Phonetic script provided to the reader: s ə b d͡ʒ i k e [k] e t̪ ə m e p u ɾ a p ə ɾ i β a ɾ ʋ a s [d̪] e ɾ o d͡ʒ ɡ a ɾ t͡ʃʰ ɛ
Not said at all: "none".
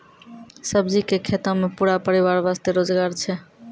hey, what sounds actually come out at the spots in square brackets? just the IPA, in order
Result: kʰ, t̪

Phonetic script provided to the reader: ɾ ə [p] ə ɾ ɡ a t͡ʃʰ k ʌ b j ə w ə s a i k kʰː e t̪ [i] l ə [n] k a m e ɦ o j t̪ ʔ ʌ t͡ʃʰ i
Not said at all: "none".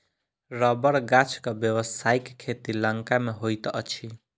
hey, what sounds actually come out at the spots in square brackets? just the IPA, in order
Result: b, i, ŋ

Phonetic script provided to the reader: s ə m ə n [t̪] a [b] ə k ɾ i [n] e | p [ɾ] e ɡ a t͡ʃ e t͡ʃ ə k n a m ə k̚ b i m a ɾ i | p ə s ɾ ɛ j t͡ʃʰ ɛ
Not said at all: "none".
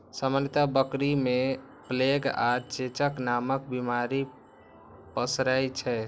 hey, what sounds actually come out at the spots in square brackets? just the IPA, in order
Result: t̪, b, m, l

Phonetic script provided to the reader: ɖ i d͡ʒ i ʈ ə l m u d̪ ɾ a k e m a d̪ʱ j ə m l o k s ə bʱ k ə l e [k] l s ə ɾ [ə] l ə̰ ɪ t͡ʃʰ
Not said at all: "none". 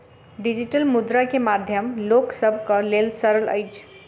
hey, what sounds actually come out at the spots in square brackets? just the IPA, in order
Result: none, ə

